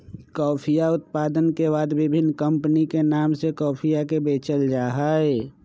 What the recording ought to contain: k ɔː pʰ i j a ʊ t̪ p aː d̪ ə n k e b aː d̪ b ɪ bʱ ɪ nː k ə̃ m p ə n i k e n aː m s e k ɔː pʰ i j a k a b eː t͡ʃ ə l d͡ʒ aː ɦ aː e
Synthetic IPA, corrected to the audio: k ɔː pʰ i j a ʊ t̪ p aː d̪ ə n k e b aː d̪ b ɪ bʱ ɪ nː k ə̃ m p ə n i k e n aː m s e k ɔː pʰ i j a k e b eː t͡ʃ ə l d͡ʒ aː ɦ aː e